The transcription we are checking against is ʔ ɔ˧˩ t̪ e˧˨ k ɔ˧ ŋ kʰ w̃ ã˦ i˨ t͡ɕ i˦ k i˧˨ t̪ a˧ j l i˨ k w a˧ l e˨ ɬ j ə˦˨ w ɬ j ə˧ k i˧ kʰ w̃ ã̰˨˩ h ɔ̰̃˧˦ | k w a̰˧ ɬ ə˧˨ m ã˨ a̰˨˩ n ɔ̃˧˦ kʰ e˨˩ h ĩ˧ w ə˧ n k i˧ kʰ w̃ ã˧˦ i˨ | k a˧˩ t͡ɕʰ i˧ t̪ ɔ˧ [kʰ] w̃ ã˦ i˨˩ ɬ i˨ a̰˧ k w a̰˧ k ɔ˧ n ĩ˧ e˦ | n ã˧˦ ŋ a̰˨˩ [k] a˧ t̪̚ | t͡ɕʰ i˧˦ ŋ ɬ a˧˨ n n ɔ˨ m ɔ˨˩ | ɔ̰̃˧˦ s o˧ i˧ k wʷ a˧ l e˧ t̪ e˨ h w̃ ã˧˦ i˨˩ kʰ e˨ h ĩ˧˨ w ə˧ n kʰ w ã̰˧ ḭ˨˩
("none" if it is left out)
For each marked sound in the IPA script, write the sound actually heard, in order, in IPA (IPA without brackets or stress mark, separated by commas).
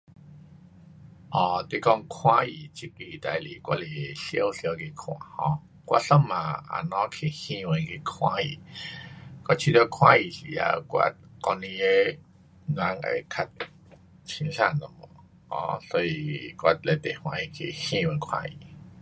kʰ, kʰ